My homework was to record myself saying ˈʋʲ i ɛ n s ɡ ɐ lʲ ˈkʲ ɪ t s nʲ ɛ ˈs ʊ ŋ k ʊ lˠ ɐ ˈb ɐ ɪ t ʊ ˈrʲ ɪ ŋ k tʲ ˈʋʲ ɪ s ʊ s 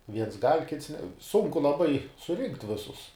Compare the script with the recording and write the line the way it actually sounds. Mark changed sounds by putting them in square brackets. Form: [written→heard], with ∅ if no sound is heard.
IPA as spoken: ˈʋʲ i ɛ n s ɡ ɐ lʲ ˈkʲ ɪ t s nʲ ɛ ˈs ʊ ŋ k ʊ lˠ ɐ ˈb ɐ ɪ [t→s] ʊ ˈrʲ ɪ ŋ k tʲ ˈʋʲ ɪ s ʊ s